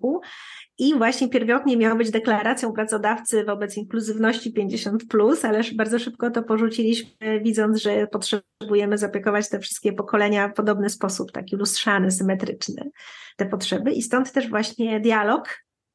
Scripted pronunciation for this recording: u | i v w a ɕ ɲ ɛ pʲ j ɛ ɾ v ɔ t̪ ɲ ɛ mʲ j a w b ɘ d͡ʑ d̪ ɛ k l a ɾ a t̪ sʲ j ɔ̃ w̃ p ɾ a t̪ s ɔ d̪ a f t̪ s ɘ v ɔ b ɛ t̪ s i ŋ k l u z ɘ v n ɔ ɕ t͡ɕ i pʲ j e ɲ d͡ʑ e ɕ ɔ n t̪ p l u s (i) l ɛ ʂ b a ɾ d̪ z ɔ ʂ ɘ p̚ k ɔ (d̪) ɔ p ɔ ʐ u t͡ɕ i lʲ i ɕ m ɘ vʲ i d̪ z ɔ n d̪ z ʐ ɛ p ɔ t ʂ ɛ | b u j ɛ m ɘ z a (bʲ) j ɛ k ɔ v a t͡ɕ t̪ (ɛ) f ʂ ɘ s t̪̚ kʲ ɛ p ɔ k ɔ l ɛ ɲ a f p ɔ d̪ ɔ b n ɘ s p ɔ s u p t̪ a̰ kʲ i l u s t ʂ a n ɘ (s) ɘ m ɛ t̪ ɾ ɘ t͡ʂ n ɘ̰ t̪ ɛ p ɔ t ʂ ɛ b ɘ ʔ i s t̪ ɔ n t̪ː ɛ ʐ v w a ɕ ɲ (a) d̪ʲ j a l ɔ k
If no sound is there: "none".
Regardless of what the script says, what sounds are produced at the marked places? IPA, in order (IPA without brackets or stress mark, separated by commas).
a, t̪, pʲ, ɛ, s, ɛ